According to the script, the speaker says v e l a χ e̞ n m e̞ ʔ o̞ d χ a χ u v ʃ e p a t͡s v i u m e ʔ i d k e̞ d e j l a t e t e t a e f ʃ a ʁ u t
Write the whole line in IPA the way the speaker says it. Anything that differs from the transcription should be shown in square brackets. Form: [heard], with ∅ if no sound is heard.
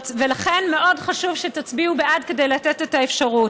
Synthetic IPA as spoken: v e l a χ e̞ n m e̞ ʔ o̞ d χ a [ʃ] u v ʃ e [t] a t͡s [b] i u [b] e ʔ [a] d k e̞ d e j l a t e t e t a e f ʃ a ʁ u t